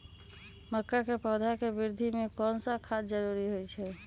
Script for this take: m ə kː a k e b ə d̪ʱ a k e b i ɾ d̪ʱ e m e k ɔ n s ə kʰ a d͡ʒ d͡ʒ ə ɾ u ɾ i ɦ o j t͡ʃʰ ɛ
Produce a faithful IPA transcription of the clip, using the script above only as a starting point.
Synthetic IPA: m ə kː a k e p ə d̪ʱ a k e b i ɾ d̪ʱ i m e k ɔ n s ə kʰ a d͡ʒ d͡ʒ ə ɾ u ɾ i ɦ o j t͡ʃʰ ɛ